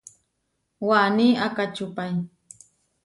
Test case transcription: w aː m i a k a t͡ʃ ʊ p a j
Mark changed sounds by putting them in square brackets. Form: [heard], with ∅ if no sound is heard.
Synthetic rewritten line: w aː [n] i a k a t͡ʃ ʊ p a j